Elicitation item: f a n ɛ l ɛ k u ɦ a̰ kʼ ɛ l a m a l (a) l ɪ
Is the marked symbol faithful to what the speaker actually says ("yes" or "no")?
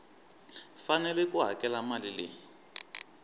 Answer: no